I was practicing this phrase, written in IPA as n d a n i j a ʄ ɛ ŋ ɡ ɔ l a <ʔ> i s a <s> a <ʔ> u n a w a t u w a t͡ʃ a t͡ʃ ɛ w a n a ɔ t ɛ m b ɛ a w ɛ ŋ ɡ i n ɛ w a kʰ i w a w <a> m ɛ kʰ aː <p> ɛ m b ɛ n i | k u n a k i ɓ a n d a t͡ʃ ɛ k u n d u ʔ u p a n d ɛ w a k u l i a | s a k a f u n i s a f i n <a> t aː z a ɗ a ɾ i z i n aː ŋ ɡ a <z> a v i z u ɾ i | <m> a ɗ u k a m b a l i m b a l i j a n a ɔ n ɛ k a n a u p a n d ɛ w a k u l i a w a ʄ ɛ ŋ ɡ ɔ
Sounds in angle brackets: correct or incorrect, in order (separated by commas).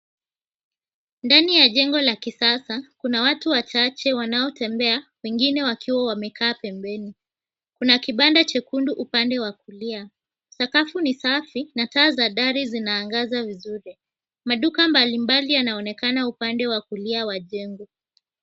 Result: incorrect, correct, incorrect, correct, correct, correct, correct, correct